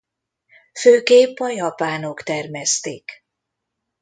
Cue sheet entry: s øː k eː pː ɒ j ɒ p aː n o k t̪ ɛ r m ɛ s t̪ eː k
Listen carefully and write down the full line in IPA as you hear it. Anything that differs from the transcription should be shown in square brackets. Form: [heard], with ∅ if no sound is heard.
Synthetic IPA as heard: [f] øː k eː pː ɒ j ɒ p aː n o k t̪ ɛ r m ɛ s t̪ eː k